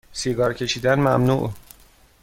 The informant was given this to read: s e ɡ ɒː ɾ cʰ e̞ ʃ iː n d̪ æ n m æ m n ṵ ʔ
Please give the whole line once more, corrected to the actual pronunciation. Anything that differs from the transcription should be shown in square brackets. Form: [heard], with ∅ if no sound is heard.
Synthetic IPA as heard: s [i] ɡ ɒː ɾ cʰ e̞ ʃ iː [∅] d̪ æ n m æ m n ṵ ʔ